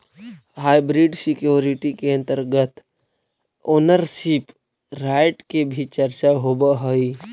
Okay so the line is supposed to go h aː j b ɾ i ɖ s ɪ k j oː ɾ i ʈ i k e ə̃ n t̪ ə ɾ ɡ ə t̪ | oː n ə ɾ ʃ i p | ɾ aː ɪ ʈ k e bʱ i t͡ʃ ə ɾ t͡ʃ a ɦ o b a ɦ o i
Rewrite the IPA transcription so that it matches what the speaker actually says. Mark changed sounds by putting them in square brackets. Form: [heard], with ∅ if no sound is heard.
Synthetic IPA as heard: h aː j b ɾ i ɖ s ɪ k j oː ɾ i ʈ i k e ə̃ n t̪ ə ɾ ɡ ə t̪ | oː n ə ɾ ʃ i p | ɾ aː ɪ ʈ k e bʱ i t͡ʃ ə ɾ t͡ʃ a ɦ o b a ɦ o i